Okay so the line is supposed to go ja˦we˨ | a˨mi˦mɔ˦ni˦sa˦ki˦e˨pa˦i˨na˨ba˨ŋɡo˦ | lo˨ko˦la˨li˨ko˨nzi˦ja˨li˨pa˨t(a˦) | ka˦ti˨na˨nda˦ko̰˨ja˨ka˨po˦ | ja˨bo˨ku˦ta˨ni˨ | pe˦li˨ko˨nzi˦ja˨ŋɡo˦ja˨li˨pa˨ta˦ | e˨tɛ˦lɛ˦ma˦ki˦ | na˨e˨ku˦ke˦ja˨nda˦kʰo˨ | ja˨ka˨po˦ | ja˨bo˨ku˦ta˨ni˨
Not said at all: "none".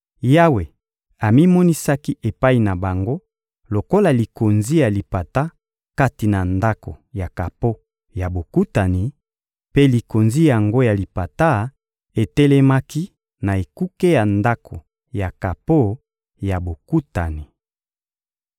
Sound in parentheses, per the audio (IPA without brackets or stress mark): a˦